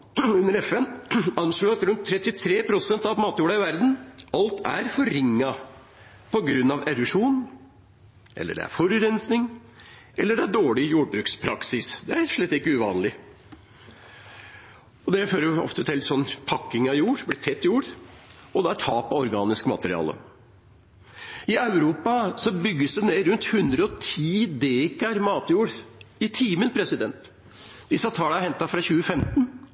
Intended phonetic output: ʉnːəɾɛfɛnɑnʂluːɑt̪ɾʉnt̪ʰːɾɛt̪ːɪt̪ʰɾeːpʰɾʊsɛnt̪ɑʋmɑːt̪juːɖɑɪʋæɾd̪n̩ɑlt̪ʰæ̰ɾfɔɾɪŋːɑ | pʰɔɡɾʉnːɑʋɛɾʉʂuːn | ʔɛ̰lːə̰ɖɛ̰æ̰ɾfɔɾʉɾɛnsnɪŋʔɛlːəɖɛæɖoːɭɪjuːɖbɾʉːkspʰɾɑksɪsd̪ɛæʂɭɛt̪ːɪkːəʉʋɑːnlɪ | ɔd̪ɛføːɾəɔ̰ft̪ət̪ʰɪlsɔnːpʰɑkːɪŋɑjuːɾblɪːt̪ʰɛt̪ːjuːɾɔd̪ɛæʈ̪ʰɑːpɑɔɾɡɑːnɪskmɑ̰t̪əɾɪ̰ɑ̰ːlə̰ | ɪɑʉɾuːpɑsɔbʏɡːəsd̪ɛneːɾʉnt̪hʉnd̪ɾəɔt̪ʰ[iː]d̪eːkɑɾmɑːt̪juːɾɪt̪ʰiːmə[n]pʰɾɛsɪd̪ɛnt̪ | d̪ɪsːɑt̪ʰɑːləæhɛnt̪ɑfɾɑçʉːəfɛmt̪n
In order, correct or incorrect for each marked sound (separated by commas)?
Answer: correct, correct